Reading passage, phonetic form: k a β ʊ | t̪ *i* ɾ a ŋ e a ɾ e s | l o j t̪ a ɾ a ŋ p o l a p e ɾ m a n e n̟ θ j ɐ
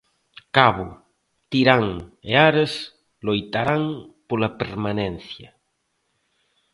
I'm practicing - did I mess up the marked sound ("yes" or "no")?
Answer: no